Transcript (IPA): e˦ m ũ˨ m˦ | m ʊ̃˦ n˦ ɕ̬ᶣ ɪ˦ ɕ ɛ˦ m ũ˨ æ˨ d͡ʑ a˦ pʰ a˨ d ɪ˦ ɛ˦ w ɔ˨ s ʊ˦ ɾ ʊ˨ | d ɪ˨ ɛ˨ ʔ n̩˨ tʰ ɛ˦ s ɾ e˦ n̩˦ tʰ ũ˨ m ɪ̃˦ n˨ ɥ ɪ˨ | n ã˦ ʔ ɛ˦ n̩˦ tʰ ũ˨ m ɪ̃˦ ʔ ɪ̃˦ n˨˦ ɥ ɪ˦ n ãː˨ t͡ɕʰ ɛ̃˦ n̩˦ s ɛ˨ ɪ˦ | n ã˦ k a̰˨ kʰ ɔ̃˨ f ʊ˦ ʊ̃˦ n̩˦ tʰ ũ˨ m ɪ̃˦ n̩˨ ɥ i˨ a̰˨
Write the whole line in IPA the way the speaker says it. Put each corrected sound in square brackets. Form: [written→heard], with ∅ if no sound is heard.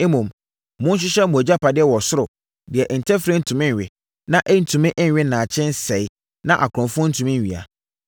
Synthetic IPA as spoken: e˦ m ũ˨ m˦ | m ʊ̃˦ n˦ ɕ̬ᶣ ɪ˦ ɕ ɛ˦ m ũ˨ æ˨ d͡ʑ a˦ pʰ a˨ d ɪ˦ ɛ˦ w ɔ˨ s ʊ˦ ɾ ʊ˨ | d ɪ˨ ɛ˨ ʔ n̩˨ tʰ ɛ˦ [s→f] ɾ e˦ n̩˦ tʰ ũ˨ m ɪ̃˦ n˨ ɥ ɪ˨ | n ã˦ ʔ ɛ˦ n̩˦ tʰ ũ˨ m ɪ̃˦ ʔ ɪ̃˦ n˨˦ ɥ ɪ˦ n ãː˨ t͡ɕʰ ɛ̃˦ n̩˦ s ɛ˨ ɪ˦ | n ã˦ [k→ʔ] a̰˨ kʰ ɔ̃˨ f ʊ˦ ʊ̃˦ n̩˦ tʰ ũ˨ m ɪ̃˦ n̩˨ ɥ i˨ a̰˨

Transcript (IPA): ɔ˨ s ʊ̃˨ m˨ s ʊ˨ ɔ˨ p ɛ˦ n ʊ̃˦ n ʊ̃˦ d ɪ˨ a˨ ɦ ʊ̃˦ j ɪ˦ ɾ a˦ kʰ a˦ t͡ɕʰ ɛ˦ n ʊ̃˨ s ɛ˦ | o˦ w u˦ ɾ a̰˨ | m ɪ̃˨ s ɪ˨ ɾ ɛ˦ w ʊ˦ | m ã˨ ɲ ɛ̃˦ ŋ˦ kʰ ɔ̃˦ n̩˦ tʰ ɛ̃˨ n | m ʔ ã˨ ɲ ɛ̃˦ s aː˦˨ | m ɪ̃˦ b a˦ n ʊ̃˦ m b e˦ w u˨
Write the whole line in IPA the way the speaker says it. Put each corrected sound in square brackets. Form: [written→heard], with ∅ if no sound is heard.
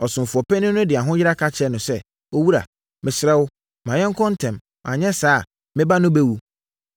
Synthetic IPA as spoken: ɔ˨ s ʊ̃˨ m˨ [s→f] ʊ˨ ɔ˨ p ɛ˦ n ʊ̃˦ n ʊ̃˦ d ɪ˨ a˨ ɦ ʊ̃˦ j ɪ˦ ɾ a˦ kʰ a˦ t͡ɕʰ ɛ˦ n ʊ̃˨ s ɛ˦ | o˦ w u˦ ɾ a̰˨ | m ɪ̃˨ s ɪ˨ ɾ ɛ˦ w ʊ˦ | m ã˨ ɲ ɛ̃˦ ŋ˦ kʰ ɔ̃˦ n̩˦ tʰ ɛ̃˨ [n→m] | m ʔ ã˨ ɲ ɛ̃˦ s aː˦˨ | m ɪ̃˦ b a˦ n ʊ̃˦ [m→∅] b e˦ w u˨

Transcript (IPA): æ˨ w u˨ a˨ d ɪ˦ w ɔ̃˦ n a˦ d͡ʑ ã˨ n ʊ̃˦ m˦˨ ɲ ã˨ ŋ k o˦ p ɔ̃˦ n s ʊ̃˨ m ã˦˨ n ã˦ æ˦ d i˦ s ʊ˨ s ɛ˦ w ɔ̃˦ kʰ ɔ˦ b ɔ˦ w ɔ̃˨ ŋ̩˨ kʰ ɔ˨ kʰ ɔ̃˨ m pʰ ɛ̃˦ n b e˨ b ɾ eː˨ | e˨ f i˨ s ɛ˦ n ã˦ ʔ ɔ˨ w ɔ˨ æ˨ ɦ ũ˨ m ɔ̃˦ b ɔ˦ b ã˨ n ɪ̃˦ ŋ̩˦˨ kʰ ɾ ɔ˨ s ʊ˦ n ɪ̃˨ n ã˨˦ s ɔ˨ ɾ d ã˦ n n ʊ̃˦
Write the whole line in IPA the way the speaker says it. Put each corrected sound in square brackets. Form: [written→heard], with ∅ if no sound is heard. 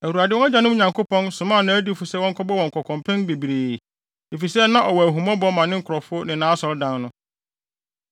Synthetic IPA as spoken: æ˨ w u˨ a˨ d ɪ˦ w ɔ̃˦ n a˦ d͡ʑ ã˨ n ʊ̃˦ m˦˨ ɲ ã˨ ŋ k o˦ p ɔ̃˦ n s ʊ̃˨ m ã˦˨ n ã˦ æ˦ d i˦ [s→f] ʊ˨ s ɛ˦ w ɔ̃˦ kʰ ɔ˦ b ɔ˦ w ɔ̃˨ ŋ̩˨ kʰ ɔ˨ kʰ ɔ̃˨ m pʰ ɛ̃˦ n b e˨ b ɾ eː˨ | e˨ f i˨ s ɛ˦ n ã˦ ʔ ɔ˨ w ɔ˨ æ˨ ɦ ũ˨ m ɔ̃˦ b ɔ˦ [b→m] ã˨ n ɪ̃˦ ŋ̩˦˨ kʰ ɾ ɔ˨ [s→f] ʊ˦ n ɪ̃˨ n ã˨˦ s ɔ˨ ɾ d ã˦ n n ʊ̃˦

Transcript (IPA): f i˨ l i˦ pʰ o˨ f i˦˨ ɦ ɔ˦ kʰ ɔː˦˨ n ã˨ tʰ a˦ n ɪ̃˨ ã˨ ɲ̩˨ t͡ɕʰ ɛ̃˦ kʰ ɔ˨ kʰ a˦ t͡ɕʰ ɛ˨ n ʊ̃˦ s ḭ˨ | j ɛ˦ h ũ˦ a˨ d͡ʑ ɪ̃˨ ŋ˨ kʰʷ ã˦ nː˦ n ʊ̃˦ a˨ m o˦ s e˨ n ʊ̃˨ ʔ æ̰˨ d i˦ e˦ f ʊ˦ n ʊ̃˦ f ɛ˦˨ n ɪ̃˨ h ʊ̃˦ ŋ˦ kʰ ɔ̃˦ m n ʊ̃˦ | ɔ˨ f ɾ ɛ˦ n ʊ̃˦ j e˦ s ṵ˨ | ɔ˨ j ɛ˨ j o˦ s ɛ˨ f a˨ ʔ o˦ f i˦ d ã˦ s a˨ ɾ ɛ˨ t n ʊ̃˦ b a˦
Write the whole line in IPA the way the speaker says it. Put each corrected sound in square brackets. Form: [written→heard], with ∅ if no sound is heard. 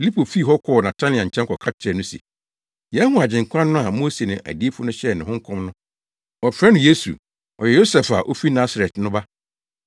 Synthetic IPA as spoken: f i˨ l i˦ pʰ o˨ f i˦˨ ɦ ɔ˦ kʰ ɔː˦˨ n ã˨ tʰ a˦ n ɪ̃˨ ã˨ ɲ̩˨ t͡ɕʰ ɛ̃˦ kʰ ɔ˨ kʰ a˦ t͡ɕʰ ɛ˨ n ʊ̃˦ s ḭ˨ | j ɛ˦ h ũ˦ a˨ d͡ʑ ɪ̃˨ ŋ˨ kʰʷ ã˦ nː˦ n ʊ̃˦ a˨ m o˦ s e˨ n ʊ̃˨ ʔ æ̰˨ d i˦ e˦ f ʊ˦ n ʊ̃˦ [f→ɕ] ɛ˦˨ n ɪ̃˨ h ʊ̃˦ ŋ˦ kʰ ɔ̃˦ m n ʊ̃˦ | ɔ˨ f ɾ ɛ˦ n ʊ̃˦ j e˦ s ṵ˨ | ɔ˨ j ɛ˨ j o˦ s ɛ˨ f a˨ ʔ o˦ f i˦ [d→n] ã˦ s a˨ ɾ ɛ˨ t n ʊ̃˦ b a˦

